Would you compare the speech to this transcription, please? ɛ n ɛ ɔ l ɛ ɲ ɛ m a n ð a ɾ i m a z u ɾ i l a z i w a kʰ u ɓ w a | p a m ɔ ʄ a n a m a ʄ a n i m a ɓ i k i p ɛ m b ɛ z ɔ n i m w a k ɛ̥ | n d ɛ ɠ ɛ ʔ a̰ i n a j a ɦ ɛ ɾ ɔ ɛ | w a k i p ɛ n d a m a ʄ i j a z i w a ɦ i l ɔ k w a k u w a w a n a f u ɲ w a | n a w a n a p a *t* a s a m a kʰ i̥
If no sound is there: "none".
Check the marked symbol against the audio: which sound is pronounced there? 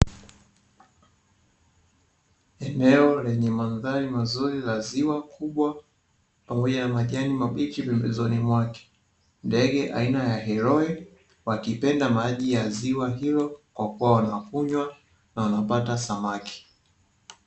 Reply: t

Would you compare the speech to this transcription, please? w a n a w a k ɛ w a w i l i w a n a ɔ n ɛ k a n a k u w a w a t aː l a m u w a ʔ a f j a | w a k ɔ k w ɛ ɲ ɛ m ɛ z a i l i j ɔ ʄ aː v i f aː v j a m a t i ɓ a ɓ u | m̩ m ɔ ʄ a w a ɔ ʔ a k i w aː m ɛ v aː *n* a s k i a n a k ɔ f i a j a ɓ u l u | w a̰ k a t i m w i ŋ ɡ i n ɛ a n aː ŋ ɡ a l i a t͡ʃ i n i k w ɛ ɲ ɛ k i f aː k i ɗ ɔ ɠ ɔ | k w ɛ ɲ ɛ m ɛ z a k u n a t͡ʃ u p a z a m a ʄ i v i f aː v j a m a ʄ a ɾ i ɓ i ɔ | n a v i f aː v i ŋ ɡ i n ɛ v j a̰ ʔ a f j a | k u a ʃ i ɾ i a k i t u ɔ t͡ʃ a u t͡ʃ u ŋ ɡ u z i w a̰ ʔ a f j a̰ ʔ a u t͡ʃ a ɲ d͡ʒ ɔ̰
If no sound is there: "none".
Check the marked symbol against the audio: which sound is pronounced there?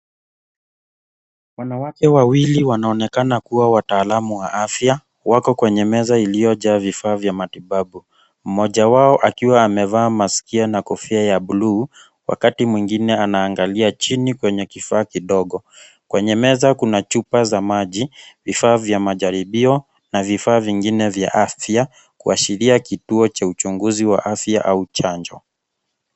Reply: m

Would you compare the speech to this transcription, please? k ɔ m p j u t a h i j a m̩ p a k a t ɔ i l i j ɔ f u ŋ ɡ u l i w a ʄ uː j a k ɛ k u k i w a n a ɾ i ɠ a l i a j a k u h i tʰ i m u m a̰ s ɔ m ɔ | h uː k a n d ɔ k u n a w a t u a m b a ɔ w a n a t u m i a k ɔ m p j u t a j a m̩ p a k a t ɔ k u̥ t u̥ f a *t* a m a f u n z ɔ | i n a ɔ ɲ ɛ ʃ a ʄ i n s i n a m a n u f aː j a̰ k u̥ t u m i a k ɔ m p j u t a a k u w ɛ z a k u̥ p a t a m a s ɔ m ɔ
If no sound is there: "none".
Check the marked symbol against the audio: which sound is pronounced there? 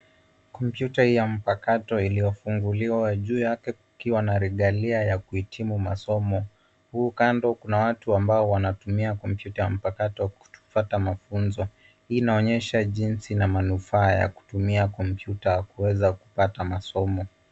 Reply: t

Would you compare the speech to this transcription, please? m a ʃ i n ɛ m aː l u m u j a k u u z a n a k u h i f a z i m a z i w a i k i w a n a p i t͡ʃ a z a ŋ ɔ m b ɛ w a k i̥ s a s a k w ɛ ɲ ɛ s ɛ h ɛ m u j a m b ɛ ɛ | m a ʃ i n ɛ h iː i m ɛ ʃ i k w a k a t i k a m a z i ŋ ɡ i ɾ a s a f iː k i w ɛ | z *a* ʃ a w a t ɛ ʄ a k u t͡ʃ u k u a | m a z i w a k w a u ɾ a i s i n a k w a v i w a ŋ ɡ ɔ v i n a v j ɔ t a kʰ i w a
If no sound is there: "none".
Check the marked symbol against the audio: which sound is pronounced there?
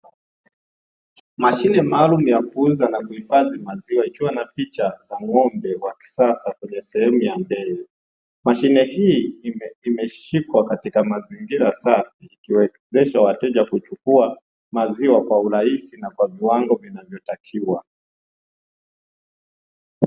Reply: ɛ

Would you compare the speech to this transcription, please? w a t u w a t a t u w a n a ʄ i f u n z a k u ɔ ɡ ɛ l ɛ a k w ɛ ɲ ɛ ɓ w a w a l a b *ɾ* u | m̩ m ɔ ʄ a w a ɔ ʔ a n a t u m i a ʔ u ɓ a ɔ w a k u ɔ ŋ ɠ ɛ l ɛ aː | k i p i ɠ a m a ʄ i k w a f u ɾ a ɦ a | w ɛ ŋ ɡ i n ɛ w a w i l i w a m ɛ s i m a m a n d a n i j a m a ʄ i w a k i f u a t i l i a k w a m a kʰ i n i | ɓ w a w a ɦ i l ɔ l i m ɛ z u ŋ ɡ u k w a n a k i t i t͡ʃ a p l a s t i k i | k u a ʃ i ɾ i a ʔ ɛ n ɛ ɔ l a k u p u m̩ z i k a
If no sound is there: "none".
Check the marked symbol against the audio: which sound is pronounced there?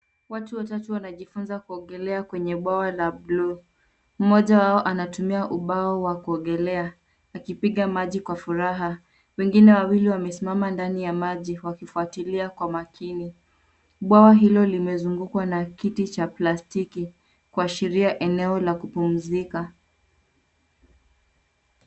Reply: l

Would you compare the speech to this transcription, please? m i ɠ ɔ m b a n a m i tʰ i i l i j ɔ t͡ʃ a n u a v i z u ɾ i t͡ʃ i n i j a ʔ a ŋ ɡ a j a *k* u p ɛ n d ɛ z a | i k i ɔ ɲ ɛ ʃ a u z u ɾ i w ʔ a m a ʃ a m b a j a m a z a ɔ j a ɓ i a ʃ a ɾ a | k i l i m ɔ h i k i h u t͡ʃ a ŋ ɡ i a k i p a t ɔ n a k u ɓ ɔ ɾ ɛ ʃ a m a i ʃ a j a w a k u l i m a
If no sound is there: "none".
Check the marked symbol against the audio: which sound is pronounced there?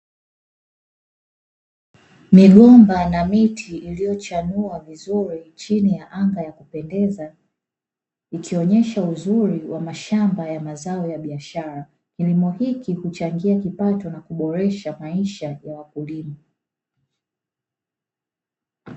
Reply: k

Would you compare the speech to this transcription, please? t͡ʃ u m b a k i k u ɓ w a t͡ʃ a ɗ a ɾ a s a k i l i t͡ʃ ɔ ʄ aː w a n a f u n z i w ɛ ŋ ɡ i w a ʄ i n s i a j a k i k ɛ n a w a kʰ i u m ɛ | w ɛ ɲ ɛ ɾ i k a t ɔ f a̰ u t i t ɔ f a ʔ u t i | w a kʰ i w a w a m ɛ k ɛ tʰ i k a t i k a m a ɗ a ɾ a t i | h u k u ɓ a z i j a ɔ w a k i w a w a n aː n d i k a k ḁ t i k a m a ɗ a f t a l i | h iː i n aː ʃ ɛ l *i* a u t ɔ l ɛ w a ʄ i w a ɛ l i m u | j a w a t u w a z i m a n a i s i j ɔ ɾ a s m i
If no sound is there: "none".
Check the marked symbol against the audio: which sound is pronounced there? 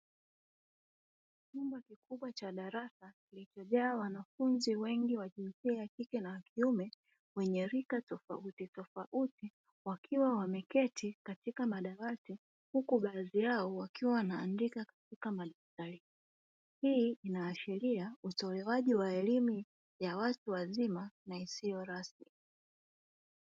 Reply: i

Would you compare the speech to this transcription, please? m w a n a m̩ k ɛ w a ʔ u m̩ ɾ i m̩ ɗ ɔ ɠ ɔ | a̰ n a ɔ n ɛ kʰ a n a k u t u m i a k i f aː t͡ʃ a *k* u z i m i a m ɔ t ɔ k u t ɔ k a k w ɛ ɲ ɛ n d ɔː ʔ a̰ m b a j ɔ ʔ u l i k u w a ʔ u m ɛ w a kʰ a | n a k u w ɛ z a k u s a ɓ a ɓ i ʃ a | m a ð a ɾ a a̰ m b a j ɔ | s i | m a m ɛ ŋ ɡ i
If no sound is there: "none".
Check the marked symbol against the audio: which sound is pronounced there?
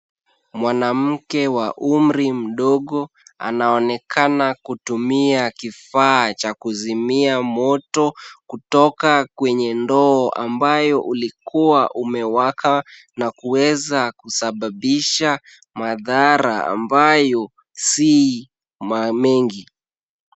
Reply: k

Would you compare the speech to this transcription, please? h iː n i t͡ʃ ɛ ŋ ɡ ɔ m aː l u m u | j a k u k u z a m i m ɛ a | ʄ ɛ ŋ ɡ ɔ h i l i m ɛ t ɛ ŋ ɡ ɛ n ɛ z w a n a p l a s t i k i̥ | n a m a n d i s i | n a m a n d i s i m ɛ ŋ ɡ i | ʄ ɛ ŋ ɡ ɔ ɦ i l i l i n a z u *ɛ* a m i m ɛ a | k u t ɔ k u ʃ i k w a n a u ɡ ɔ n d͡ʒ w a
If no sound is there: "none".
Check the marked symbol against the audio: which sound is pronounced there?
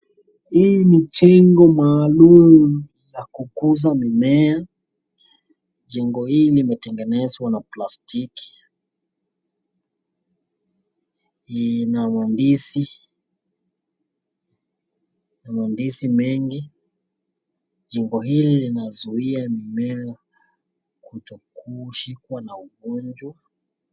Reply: i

